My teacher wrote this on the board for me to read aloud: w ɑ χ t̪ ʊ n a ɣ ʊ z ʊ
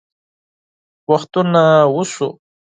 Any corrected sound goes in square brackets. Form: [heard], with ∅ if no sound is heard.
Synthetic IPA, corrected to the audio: w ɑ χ t̪ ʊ n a [w] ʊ [s] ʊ